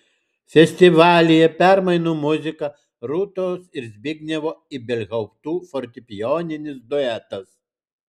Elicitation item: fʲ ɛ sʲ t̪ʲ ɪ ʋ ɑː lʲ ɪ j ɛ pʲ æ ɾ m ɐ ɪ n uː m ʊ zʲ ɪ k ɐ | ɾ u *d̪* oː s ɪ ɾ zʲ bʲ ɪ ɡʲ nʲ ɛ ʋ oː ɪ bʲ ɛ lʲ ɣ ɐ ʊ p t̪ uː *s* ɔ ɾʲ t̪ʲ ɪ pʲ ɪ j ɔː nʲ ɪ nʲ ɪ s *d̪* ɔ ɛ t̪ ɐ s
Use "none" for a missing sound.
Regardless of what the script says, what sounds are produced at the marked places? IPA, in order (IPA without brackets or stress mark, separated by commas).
t̪, f, d̪